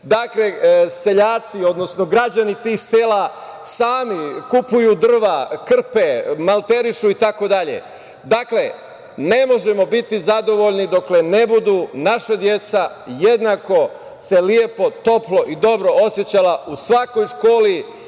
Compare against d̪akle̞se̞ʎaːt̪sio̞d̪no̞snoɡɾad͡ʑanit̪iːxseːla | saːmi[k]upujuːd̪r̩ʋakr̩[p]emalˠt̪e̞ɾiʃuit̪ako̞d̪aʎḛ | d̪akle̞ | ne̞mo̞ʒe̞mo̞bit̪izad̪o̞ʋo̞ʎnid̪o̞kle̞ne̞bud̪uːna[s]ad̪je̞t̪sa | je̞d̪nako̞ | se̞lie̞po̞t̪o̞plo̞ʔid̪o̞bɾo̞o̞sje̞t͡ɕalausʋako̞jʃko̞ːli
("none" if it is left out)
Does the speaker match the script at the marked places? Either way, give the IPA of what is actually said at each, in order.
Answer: k, p, ʃ

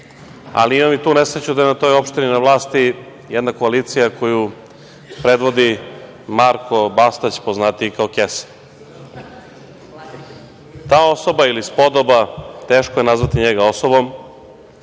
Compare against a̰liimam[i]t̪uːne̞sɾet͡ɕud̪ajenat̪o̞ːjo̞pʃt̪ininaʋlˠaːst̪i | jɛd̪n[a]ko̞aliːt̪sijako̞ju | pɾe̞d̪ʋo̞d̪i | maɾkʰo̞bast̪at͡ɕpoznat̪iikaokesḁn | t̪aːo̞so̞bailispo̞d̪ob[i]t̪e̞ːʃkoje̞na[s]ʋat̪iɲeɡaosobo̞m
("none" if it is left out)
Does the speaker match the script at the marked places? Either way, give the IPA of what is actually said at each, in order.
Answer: i, a, a, z

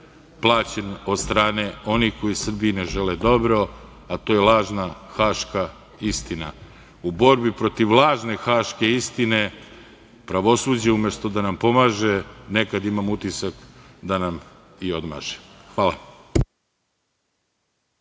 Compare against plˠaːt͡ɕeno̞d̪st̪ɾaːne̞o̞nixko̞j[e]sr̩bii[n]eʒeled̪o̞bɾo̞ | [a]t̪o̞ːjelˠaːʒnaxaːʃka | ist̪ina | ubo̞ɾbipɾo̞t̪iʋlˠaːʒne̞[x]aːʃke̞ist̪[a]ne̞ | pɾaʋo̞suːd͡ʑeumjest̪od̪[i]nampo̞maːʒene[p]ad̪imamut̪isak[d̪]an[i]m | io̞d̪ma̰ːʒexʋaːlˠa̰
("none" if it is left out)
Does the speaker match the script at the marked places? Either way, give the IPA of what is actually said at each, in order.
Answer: i, n, a, x, i, a, k, d̪, a

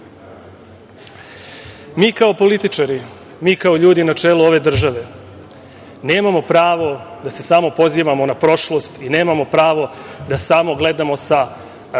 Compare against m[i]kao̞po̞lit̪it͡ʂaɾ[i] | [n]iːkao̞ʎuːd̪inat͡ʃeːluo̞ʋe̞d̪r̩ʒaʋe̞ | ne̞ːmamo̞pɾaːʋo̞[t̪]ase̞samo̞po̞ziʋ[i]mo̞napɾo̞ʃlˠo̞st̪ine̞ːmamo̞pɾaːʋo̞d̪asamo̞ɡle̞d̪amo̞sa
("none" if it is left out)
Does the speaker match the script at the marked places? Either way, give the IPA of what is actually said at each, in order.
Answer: iː, i, m, d̪, a

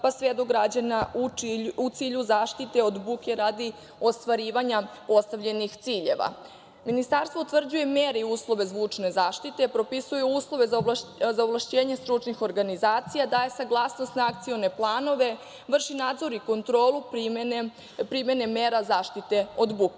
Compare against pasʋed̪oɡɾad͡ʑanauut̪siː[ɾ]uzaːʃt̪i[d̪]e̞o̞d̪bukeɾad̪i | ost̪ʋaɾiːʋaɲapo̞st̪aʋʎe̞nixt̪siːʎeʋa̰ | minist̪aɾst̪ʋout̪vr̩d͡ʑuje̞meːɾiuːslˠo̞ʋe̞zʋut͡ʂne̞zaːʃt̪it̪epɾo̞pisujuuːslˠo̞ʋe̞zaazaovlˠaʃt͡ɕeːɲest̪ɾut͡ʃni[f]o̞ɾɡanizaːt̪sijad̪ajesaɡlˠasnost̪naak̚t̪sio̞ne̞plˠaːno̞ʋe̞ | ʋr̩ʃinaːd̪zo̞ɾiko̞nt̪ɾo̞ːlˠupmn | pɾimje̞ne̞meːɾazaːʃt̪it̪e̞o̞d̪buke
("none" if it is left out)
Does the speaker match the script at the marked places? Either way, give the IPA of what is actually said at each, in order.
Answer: ʎ, t̪, x

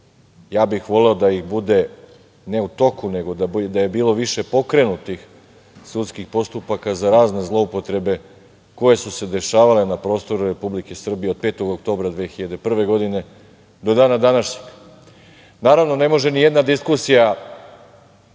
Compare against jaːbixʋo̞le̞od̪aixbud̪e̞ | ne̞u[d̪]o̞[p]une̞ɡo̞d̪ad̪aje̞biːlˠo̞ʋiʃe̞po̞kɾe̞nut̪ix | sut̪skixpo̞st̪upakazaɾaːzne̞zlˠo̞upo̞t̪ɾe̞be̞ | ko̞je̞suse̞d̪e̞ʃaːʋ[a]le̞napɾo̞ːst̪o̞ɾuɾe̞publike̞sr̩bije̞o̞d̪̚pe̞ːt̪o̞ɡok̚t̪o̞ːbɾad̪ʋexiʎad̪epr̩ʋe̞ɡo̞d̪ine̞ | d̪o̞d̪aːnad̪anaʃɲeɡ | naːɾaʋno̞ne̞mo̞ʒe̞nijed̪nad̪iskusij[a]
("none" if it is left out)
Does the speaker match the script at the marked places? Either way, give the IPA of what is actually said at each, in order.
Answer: t̪, k, a, a

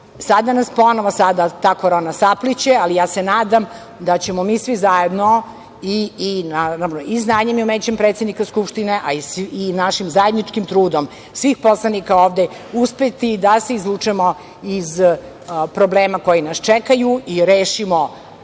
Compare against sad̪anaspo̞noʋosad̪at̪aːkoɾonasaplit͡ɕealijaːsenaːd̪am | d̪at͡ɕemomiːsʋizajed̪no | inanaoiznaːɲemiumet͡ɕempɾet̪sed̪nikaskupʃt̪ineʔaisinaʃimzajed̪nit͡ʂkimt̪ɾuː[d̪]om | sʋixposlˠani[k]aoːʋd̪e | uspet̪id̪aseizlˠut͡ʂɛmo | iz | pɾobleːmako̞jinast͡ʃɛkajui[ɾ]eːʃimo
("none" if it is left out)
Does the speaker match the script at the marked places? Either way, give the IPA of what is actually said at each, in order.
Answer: d̪, k, ɾ

